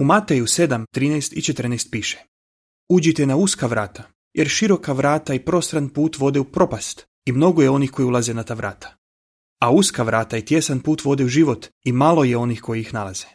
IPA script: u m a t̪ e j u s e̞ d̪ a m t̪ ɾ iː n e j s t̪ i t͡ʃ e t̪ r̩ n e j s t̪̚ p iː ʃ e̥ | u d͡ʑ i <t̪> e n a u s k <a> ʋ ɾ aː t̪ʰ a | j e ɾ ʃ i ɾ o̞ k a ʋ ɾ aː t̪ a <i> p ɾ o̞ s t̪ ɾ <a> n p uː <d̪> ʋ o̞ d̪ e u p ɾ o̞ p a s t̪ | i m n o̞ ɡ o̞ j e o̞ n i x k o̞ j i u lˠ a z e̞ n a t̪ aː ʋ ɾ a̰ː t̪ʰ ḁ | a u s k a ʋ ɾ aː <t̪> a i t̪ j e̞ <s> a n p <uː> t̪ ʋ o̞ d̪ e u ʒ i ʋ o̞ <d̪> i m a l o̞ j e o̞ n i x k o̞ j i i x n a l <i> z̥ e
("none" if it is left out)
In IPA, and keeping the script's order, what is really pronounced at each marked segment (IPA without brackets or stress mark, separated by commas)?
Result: t̪, a, i, a, t̪, t̪, s, uː, t̪, a